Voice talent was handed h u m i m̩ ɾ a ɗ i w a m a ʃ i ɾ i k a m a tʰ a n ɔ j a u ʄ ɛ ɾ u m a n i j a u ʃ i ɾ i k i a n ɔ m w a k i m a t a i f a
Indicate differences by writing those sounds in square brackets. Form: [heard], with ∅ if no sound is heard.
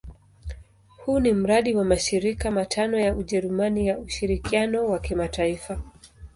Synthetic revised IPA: h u [n] i m̩ ɾ a ɗ i w a m a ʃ i ɾ i k a m a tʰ a n ɔ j a u ʄ ɛ ɾ u m a n i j a u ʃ i ɾ i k i a n ɔ [∅] w a k i m a t a i f a